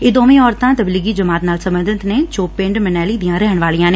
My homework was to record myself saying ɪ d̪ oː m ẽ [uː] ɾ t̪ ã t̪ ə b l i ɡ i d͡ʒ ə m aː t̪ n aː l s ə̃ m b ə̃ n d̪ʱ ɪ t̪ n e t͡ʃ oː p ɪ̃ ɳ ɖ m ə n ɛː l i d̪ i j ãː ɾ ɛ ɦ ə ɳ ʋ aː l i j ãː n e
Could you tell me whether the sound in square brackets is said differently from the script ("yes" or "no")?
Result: yes